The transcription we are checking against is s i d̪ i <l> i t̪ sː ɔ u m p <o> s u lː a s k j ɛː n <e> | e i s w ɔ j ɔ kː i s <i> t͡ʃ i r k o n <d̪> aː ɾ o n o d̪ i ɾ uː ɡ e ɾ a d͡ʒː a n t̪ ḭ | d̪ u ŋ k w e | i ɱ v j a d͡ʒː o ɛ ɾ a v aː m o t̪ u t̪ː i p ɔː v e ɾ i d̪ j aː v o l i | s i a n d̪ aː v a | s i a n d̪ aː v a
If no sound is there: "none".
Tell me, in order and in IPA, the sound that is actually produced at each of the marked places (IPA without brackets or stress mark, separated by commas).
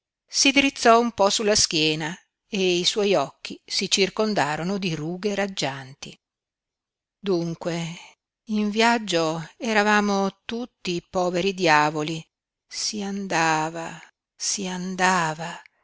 ɾ, ɔ, a, i, d̪